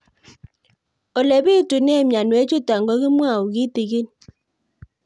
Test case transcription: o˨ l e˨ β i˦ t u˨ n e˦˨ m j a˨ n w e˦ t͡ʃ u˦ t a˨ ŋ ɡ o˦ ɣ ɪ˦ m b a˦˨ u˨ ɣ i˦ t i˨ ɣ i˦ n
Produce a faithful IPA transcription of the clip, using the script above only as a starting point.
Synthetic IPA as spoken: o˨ l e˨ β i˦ t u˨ n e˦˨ m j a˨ n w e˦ t͡ʃ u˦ t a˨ ŋ ɡ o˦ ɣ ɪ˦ m w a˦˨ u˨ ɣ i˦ t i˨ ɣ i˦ n

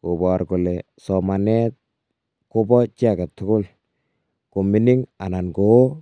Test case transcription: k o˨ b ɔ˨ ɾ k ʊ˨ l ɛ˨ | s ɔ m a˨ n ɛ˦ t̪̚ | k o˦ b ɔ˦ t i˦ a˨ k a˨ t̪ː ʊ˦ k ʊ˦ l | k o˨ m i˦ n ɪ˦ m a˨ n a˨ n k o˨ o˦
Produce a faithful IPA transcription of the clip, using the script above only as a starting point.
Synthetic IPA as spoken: k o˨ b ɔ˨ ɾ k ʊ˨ l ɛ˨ | s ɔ m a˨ n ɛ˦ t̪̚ | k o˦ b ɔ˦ t͡ʃ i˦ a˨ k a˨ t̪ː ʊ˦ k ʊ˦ l | k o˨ m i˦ n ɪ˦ ŋ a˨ n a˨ n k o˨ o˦

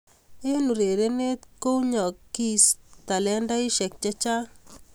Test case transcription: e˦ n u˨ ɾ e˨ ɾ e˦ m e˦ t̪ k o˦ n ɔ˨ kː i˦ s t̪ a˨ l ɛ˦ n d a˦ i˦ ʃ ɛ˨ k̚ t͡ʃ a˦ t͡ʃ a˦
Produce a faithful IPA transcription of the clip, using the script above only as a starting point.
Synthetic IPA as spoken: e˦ n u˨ ɾ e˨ ɾ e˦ n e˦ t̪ k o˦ ɲ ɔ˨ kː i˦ s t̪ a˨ l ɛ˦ n d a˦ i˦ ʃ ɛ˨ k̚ t͡ʃ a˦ t͡ʃ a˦

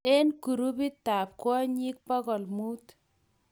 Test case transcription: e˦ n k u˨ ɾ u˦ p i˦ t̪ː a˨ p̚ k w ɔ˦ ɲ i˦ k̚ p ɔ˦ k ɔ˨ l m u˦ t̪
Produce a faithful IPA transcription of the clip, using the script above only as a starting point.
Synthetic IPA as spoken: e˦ n k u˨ ɾ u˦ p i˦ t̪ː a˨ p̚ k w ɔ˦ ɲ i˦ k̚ p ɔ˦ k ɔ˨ l m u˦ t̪

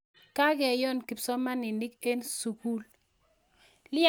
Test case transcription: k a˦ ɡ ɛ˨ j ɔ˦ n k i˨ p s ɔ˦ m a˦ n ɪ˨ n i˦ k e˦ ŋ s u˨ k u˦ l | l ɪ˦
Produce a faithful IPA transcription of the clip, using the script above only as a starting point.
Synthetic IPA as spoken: k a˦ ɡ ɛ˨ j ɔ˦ n k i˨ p s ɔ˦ m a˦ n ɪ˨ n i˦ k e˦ n s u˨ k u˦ l | l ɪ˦

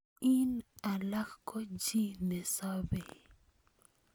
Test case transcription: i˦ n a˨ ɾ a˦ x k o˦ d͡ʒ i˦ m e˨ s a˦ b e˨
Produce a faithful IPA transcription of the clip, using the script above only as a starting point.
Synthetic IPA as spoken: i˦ n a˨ l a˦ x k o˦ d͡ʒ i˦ n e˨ s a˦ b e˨

